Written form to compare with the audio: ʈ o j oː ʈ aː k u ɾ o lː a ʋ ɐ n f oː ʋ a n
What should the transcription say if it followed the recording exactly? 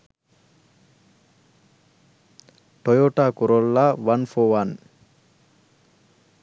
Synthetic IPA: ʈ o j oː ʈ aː k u ɾ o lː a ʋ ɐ n f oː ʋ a n